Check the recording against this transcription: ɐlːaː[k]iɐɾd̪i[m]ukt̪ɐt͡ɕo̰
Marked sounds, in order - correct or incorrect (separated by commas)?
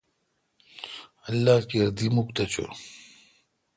correct, correct